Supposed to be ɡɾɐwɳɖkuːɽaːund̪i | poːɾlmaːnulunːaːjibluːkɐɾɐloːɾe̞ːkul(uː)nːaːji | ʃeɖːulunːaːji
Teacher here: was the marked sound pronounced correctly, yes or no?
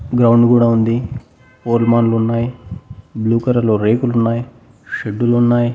no